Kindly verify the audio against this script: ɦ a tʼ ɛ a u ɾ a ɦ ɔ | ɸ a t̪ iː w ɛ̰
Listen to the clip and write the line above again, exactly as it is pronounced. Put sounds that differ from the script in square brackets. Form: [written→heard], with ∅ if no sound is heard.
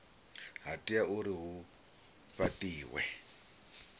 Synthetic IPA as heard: ɦ a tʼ [ɛ→i] a u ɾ [a→i] ɦ [ɔ→u] | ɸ a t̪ iː w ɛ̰